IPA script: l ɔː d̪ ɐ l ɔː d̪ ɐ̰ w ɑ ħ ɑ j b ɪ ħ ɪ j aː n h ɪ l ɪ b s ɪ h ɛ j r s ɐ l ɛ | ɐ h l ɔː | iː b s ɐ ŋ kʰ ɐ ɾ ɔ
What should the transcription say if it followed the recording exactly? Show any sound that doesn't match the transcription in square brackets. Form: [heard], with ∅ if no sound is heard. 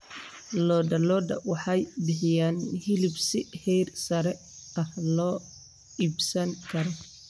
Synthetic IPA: l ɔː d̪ ɐ l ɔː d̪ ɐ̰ w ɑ ħ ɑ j b ɪ ħ ɪ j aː n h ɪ l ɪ b s ɪ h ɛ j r s ɐ [ɾ] ɛ | ɐ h l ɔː | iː b s ɐ ŋ kʰ ɐ ɾ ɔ